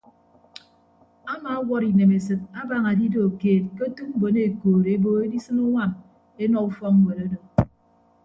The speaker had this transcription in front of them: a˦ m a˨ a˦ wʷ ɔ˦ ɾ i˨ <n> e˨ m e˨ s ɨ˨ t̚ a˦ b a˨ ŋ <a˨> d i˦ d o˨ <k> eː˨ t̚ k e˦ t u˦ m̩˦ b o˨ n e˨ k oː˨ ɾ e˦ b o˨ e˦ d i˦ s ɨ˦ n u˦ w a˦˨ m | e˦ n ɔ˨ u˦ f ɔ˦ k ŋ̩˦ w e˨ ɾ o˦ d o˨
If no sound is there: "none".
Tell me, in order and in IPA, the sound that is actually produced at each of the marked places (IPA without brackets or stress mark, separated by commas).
n, a˨, k